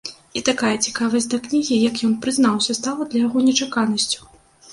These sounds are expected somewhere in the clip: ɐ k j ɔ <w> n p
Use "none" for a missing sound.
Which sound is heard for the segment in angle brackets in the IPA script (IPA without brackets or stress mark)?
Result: none